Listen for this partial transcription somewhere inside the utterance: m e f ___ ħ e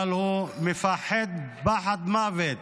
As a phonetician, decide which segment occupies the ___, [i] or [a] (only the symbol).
a